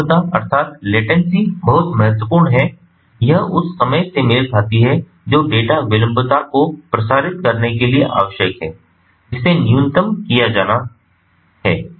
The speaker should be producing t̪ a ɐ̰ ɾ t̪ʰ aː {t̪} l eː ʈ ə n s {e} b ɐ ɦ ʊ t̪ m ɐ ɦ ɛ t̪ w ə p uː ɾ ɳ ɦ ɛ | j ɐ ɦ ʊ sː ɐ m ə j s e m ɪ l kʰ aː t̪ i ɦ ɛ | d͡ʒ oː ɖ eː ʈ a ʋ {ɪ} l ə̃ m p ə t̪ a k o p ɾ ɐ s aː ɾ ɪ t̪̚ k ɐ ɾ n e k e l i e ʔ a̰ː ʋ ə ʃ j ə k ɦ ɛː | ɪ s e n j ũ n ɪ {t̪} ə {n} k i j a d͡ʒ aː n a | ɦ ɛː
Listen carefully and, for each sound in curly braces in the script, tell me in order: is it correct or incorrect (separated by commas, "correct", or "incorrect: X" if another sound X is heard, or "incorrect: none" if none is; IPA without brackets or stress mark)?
correct, incorrect: i, correct, correct, incorrect: m